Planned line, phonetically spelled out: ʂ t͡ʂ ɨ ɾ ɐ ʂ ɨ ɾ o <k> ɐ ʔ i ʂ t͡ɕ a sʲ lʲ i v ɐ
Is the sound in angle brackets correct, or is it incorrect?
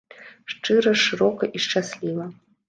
correct